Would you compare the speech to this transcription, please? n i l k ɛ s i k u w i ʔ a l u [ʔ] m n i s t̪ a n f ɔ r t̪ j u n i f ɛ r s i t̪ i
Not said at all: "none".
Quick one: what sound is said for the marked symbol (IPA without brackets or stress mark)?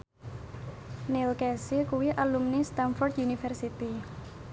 none